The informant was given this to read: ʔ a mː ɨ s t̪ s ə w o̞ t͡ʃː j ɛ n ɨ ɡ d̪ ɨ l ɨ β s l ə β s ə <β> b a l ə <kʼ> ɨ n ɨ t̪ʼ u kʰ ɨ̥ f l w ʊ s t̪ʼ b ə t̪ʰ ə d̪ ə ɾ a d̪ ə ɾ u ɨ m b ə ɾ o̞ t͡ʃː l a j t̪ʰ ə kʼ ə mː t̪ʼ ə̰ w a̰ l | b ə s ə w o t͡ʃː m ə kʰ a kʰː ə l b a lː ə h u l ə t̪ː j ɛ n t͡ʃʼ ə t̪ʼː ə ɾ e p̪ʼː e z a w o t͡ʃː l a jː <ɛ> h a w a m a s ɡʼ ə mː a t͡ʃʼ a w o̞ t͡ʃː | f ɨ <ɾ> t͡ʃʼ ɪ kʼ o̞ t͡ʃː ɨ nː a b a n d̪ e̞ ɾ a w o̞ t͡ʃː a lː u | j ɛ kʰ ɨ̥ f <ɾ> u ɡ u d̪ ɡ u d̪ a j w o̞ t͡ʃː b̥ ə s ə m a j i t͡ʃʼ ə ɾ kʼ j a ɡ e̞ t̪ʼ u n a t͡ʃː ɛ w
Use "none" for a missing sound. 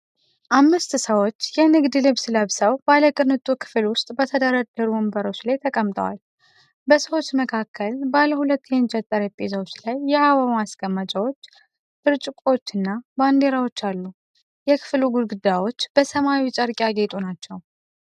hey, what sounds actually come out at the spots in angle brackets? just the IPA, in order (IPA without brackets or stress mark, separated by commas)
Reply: w, kʼ, ɛ, ɾ, l